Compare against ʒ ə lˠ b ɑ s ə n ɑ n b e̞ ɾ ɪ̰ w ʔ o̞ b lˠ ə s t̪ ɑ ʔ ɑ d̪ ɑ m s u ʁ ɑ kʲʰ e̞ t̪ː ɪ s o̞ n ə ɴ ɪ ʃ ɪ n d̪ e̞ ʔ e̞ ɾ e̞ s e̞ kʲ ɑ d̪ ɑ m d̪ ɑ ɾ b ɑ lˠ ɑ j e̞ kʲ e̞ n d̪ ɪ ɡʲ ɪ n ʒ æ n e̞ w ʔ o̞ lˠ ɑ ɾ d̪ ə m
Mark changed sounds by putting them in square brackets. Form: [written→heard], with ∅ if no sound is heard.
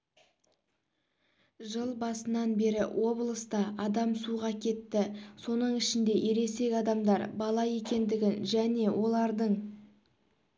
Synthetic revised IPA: ʒ ə lˠ b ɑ s ə n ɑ n b e̞ ɾ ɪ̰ w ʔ o̞ b lˠ ə s t̪ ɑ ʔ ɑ d̪ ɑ m s u ʁ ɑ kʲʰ e̞ t̪ː ɪ s o̞ n ə ɴ ɪ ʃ ɪ n d̪ e̞ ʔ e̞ ɾ e̞ s e̞ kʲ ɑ d̪ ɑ m d̪ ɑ ɾ b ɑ lˠ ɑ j e̞ kʲ e̞ n d̪ ɪ ɡʲ ɪ n ʒ æ n e̞ w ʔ o̞ lˠ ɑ ɾ d̪ ə [m→ɴ]